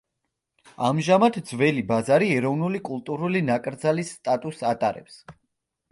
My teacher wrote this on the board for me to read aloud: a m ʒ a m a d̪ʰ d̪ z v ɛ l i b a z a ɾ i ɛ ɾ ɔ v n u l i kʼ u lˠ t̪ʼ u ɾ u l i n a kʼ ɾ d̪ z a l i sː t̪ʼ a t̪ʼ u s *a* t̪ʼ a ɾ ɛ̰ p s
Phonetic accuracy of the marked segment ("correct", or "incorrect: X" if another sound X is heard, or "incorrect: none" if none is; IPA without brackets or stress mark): correct